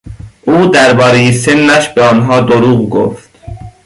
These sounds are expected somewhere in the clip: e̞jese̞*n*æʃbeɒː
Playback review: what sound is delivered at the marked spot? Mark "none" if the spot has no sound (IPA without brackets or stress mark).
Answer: nː